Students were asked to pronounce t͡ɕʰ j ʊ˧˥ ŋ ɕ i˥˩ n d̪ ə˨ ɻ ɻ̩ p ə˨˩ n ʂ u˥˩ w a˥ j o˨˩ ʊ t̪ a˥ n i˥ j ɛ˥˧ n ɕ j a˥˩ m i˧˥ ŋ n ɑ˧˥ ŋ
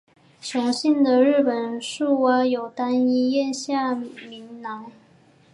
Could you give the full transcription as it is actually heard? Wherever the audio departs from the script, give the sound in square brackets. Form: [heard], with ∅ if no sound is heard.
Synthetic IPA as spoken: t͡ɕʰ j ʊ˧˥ ŋ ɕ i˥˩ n d̪ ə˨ ɻ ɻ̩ p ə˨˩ n ʂ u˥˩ w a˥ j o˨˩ ʊ t̪ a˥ n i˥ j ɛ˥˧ n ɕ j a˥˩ m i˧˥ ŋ n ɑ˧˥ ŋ